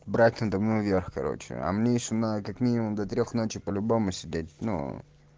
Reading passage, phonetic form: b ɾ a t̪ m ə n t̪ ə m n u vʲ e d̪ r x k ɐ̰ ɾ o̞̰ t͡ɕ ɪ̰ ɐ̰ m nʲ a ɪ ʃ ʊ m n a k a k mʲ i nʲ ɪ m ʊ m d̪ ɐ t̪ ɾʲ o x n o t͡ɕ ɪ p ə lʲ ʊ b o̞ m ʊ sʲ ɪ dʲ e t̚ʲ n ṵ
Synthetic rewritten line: b ɾ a t̪ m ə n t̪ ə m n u vʲ e r x k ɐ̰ ɾ o̞̰ t͡ɕ ɪ̰ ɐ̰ m nʲ e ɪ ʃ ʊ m n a k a k mʲ i nʲ ɪ m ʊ m d̪ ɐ t̪ ɾʲ o x n o t͡ɕ ɪ p ə lʲ ʊ b o̞ m ʊ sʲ ɪ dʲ e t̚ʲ n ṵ